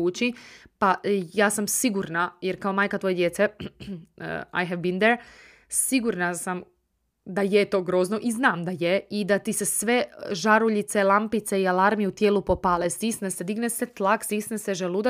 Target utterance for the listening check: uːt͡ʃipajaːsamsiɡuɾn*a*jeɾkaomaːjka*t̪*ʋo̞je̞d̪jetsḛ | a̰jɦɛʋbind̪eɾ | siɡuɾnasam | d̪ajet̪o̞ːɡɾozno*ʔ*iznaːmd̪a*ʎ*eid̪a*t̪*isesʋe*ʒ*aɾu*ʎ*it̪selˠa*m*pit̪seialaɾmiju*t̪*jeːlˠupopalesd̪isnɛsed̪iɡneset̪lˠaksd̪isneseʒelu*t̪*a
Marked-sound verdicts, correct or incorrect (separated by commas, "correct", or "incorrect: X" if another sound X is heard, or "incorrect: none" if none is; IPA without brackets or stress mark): correct, correct, correct, incorrect: j, correct, correct, correct, correct, correct, incorrect: d̪